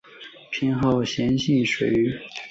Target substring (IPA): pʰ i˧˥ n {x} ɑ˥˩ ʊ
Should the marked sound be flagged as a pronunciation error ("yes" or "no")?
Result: no